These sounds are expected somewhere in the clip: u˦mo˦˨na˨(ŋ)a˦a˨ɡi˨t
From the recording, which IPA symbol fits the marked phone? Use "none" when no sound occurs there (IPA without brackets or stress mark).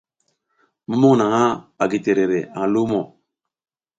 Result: ŋ